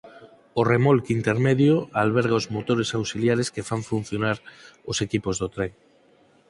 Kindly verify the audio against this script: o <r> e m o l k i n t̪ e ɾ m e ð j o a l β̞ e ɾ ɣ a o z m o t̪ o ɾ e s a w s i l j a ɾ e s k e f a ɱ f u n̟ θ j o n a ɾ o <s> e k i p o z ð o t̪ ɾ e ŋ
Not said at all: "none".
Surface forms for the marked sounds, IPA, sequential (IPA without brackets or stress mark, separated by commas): r, s